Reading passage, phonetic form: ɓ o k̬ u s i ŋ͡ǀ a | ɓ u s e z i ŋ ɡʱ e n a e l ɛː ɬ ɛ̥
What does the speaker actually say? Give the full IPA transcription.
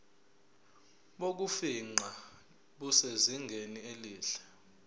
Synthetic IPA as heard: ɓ o k̬ u f i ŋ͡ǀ a | ɓ u s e z i ŋ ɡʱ e n i e l iː ɬ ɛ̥